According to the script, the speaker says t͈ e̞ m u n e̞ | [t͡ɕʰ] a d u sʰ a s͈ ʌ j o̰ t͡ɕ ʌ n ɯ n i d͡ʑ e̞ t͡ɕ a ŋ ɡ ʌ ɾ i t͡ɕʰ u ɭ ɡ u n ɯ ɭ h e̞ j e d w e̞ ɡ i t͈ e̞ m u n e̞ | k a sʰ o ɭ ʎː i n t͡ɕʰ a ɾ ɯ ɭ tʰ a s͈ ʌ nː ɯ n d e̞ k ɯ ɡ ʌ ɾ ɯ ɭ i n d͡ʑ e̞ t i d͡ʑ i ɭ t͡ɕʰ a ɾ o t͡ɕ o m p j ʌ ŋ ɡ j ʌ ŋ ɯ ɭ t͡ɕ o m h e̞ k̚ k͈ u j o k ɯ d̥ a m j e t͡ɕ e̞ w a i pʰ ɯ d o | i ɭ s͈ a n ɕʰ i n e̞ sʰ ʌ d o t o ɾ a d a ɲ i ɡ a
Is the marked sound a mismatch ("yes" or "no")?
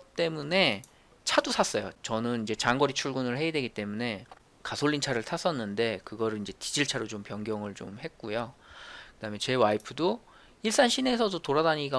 no